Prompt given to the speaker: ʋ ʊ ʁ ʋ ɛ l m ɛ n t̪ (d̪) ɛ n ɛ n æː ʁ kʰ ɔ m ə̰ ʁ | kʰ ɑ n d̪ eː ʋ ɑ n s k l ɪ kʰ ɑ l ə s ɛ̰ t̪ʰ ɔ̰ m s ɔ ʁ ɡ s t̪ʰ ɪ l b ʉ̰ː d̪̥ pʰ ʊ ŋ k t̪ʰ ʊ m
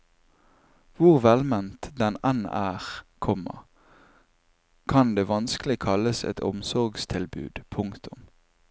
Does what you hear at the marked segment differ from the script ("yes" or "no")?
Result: no